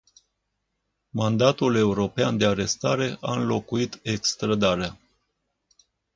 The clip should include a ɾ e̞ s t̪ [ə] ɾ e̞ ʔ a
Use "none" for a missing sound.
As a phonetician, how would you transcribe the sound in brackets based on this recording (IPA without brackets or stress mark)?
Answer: a